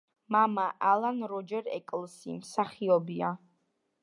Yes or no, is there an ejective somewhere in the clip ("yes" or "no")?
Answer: yes